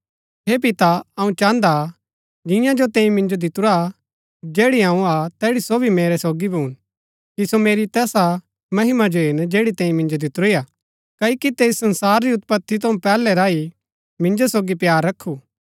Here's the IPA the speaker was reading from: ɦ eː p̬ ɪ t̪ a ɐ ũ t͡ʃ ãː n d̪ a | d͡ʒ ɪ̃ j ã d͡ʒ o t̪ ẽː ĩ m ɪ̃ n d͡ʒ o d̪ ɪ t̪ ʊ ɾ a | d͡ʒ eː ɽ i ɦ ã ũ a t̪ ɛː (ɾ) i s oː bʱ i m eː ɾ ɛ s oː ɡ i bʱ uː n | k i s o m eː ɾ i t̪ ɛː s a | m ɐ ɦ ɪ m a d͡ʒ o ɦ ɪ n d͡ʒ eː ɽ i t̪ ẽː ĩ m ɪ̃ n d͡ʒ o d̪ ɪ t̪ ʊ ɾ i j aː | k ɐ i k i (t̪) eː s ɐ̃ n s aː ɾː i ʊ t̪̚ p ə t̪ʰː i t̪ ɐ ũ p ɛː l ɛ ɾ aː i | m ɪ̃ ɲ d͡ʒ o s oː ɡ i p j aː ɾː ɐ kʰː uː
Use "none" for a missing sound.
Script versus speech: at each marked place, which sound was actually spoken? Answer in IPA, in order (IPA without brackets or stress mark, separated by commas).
ɽ, t̪